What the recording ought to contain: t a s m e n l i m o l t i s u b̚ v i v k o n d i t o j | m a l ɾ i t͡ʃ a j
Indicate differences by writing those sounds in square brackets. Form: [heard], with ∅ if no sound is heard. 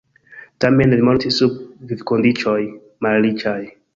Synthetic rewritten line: t a [∅] m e n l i m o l t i s u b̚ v i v k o n d i [t͡ʃ] o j | m a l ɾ i t͡ʃ a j